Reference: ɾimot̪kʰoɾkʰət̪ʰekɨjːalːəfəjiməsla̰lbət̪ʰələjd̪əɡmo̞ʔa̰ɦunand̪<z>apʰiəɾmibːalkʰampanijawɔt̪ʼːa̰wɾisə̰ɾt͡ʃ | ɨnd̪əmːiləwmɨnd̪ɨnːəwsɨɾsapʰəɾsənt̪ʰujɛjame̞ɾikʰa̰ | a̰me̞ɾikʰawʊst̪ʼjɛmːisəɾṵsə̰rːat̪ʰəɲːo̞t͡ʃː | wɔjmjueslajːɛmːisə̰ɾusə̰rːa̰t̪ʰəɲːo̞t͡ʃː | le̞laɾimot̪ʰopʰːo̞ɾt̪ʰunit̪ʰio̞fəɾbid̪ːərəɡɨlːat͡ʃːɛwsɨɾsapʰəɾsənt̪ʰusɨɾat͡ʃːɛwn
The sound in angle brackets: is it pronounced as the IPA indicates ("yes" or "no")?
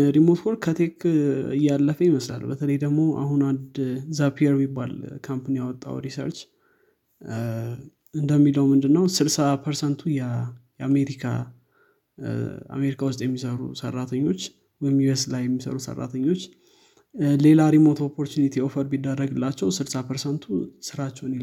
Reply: yes